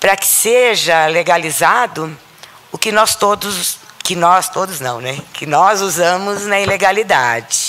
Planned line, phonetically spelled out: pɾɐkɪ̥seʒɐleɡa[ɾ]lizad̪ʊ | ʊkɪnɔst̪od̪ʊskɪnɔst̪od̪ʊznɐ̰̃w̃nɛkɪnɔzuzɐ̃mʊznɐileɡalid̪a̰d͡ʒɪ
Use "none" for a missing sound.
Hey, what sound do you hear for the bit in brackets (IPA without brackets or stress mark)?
none